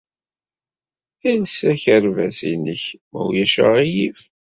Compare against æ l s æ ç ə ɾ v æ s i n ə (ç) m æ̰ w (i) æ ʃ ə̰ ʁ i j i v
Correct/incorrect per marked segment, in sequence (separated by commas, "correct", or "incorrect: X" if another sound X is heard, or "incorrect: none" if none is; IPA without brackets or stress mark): correct, incorrect: j